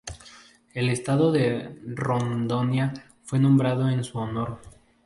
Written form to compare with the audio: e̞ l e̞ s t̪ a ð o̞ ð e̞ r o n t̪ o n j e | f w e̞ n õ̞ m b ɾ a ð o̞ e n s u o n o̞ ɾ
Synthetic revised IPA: e̞ l e̞ s t̪ a ð o̞ ð e̞ r o n d̪ o n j a | f w e̞ n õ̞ m b ɾ a ð o̞ e n s u o n o̞ ɾ